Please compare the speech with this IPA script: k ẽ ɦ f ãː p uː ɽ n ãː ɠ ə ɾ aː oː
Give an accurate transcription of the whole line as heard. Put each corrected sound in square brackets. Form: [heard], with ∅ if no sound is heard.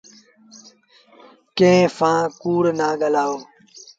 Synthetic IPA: k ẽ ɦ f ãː [k] uː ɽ n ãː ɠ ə [l] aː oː

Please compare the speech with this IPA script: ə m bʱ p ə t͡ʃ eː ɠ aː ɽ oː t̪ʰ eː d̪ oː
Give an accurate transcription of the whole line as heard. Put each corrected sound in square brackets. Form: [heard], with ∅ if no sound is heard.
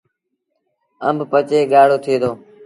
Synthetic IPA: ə m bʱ p ə t͡ʃ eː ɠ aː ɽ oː t̪ʰ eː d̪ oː

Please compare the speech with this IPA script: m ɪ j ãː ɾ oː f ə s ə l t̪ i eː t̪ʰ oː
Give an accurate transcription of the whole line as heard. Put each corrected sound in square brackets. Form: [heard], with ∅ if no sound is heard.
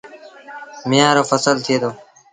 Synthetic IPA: m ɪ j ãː ɾ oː f ə s ə l [t̪ʰ] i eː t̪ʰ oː

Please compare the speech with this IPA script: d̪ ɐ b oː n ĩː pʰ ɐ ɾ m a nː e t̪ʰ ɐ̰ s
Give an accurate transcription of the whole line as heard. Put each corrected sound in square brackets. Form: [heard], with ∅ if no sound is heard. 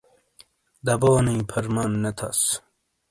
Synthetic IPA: d̪ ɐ b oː n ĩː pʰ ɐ ɾ m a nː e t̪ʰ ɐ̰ s

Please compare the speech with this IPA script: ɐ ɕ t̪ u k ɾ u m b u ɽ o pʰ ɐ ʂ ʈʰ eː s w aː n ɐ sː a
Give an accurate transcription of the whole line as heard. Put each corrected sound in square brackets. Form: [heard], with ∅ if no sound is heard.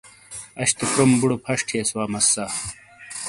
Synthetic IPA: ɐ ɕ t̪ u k ɾ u m b u ɽ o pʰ ɐ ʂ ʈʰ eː s w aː [m] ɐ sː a

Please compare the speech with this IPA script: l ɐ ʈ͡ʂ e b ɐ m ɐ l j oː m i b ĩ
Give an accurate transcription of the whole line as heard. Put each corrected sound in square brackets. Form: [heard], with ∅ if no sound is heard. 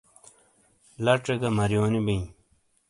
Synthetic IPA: l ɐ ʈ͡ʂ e [ɡ] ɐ m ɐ [ɾ] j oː [n] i b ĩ

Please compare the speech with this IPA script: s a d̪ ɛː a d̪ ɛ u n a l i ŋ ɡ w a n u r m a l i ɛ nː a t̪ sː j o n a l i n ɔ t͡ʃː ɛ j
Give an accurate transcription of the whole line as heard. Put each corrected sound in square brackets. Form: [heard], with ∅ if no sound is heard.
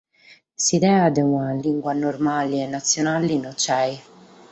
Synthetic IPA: s [i] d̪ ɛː a d̪ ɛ u n a l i ŋ ɡ w a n [o] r m a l i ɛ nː a t̪ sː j o n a l i n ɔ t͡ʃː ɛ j

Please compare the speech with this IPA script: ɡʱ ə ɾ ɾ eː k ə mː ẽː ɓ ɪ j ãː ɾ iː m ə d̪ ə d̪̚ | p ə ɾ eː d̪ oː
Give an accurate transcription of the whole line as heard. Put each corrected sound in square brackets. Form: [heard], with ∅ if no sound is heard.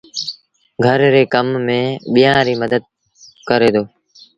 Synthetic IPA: ɡʱ ə ɾ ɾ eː k ə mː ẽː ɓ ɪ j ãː ɾ iː m ə d̪ ə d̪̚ | [k] ə ɾ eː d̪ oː

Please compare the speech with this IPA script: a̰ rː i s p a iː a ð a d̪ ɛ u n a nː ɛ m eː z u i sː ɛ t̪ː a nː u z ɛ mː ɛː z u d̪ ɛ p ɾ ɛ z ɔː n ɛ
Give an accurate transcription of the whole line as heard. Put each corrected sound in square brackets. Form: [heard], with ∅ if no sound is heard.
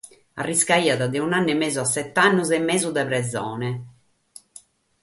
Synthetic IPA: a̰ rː i s [k] a iː a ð a d̪ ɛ u n a nː ɛ m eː z u [a] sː ɛ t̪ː a nː u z ɛ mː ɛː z u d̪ ɛ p ɾ ɛ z ɔː n ɛ

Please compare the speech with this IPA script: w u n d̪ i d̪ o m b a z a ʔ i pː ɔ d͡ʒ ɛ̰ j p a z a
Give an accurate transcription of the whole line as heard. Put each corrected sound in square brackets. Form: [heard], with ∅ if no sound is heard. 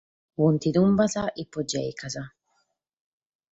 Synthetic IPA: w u n [t̪] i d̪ [u] m b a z a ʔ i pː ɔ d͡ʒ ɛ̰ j [k] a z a

